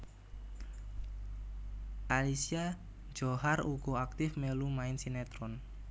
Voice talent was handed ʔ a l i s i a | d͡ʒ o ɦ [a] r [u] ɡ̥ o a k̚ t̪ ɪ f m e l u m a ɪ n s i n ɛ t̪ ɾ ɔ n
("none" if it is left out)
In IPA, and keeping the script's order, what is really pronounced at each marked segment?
a, u

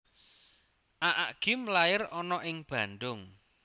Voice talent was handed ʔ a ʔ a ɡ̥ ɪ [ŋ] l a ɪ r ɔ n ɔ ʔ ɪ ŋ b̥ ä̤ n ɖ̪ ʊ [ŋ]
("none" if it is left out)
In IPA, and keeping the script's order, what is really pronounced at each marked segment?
m, ŋ

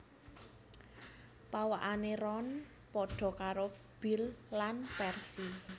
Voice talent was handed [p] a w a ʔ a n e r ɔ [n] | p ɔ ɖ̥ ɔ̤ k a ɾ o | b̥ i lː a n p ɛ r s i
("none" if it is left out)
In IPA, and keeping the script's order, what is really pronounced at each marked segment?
p, n

